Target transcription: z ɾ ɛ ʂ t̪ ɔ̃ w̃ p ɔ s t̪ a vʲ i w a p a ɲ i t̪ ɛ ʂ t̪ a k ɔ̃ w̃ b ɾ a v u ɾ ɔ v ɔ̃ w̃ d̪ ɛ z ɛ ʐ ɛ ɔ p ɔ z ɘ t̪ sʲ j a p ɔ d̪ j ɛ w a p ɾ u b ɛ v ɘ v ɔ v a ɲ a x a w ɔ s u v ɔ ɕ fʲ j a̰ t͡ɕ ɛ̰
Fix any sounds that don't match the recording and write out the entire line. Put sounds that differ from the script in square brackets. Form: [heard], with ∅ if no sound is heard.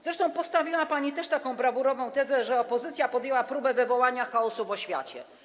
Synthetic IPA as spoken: z ɾ ɛ ʂ t̪ ɔ̃ w̃ p ɔ s t̪ a vʲ i w a p a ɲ i t̪ ɛ ʂ t̪ a k ɔ̃ w̃ b ɾ a v u ɾ ɔ v ɔ̃ w̃ [t̪] ɛ z ɛ ʐ ɛ ɔ p ɔ z ɘ t̪ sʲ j a p ɔ d̪ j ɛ w a p ɾ u b ɛ v ɘ v ɔ [w] a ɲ a x a [∅] ɔ s u v ɔ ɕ fʲ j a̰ t͡ɕ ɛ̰